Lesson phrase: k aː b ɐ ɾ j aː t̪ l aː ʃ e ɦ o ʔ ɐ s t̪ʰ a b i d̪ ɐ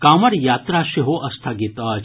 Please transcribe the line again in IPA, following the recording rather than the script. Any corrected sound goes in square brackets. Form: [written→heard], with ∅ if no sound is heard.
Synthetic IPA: k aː [b→m] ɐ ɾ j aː t̪ [l→ɾ] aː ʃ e ɦ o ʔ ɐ s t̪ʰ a [b→ɡ] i [d̪→t̪] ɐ